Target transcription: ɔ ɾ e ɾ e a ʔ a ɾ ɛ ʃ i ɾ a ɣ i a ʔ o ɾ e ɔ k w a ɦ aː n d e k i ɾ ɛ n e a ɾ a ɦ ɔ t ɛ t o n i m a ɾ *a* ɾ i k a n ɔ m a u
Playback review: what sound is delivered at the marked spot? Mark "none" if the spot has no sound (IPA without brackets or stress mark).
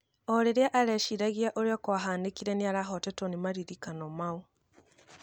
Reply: i